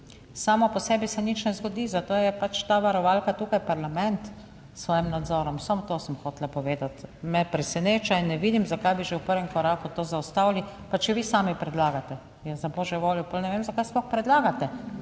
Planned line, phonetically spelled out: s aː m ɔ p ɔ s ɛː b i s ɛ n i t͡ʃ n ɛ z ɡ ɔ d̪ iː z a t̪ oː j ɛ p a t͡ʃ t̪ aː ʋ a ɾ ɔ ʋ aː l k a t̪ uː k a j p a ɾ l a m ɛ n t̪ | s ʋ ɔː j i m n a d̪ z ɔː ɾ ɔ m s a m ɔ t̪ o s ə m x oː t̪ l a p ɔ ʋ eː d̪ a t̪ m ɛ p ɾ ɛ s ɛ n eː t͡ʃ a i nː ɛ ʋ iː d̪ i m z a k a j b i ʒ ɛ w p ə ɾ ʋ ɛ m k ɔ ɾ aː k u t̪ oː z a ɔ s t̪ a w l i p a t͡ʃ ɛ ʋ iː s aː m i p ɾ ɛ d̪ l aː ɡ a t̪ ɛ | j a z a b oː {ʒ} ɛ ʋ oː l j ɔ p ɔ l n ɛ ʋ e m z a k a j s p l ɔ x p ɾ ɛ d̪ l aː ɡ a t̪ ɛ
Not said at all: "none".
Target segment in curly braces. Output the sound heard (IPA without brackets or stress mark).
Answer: ʒ